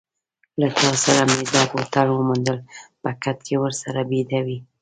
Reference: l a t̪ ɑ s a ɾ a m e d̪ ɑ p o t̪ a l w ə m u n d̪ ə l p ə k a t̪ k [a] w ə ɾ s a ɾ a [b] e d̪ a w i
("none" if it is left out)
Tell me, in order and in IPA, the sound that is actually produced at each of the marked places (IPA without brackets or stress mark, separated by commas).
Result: e, b